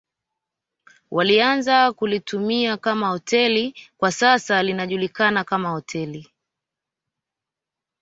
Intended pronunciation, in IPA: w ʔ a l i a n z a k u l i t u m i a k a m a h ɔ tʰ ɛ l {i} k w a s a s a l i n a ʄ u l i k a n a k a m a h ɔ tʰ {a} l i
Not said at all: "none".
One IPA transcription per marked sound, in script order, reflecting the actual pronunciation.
i, ɛ

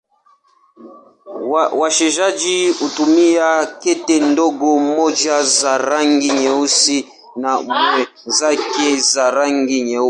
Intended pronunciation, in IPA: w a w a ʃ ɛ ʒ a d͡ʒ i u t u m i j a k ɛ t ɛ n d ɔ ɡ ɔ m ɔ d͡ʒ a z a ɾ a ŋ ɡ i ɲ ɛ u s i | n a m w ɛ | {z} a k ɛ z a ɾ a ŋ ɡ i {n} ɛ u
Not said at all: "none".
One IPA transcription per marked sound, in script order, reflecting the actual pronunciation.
z, ɲ

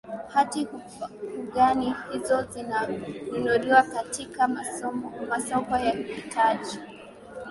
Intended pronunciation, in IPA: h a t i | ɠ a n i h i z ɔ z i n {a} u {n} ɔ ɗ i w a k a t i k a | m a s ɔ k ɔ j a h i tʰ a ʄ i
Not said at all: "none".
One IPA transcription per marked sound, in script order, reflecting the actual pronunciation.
a, n

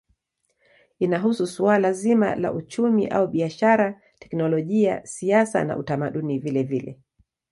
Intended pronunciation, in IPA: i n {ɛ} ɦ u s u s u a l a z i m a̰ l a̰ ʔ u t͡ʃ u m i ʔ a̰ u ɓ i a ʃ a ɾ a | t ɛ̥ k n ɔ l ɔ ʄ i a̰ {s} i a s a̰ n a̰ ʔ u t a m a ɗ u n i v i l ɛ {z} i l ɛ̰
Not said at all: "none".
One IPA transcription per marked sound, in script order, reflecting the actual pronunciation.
a, s, v

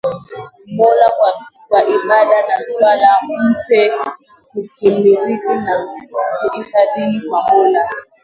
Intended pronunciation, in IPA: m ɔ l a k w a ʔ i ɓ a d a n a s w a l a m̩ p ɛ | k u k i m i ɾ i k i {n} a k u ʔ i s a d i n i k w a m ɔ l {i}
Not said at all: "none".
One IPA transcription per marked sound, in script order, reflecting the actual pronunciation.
n, a

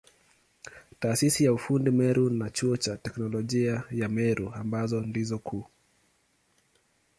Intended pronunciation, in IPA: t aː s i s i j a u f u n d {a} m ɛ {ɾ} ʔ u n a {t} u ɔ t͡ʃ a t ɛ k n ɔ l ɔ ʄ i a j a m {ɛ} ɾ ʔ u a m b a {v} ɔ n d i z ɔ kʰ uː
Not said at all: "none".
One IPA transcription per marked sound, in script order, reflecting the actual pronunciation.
i, ɾ, t͡ʃ, ɛ, z

